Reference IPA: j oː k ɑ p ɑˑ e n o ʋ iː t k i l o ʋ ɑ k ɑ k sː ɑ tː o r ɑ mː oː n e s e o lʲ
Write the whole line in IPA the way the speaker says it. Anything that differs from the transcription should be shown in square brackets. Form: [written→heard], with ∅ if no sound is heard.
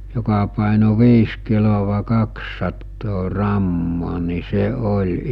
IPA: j [oː→o] k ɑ p ɑˑ e n o ʋ iː [t→s] k i l o ʋ ɑ k ɑ k sː ɑ tː [o→oː] r ɑ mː oː n [e→i] s e o lʲ